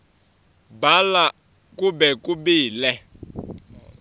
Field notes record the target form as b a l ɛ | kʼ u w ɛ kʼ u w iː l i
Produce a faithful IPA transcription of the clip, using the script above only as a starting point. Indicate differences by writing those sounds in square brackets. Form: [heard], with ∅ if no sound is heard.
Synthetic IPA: b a l [a] | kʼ u [b] ɛ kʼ u [b] iː l [ɛ]